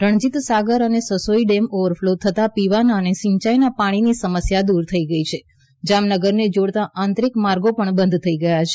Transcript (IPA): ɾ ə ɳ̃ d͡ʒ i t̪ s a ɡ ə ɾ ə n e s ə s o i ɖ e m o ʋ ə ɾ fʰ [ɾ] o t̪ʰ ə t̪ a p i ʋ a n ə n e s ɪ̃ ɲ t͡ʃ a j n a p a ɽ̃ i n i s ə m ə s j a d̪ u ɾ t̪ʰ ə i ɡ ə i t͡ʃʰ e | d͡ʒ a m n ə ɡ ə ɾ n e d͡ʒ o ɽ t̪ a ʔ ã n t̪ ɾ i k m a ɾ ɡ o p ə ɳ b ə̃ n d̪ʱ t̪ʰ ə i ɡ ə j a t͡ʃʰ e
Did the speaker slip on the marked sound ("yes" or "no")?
yes